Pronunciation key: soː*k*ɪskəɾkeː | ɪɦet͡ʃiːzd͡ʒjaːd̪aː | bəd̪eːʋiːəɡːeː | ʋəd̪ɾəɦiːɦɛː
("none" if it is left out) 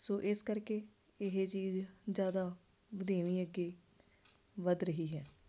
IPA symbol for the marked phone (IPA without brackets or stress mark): ʔ